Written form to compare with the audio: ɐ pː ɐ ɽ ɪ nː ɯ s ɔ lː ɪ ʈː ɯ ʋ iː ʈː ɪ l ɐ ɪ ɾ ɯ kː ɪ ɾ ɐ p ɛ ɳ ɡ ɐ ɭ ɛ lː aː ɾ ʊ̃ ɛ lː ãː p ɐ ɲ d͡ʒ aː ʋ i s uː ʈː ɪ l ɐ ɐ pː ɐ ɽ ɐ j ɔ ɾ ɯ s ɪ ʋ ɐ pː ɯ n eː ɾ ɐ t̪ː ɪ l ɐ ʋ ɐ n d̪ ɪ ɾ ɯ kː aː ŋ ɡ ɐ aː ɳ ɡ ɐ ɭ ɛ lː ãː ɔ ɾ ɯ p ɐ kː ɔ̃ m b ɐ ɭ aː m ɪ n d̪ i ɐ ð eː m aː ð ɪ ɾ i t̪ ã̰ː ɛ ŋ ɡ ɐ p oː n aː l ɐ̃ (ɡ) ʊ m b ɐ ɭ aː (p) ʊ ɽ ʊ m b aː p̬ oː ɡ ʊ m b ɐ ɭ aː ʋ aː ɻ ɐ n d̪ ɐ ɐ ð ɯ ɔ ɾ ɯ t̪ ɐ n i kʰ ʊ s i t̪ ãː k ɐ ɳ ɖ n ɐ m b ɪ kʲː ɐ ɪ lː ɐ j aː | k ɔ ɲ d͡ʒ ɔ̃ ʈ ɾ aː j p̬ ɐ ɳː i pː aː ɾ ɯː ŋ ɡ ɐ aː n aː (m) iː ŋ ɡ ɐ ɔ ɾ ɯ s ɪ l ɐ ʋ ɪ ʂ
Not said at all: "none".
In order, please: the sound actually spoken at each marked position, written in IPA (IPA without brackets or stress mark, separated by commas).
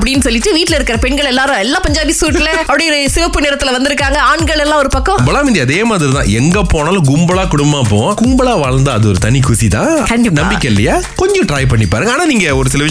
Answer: ɡ, k, n